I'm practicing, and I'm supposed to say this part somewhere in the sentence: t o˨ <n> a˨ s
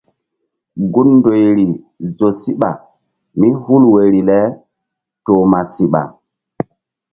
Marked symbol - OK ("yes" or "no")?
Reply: no